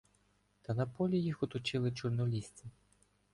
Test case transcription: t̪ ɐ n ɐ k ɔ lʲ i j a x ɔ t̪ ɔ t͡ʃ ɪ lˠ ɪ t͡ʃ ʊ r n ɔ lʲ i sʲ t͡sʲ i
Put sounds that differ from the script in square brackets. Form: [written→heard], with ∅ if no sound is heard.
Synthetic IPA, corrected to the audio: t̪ ɐ n ɐ [k→p] ɔ lʲ i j [a→i] x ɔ t̪ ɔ t͡ʃ ɪ lˠ ɪ t͡ʃ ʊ r n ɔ lʲ i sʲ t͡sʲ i